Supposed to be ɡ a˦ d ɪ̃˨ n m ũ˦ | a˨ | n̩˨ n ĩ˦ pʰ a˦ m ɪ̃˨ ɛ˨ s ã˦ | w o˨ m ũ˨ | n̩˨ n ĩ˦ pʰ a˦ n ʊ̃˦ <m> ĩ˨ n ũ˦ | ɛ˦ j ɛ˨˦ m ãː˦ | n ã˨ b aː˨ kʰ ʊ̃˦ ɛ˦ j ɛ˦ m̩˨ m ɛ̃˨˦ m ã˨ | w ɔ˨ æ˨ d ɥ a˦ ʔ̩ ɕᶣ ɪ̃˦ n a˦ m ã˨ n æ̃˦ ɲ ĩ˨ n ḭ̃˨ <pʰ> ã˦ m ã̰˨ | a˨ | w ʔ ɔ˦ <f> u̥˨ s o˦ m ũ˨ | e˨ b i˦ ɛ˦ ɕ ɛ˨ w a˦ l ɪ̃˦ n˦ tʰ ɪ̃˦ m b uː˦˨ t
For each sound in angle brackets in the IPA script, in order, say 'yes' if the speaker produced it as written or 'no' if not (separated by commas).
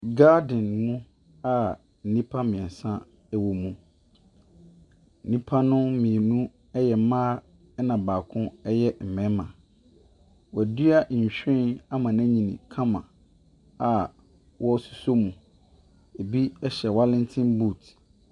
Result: yes, no, no